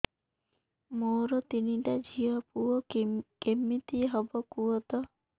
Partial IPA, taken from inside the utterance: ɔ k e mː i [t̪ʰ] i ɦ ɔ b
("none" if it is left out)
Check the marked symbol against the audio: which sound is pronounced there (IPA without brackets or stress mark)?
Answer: t̪